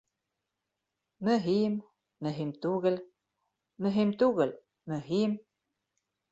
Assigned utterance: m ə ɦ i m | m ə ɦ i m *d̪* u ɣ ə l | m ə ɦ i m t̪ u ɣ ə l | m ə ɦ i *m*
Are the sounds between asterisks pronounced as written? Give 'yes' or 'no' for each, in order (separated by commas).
no, yes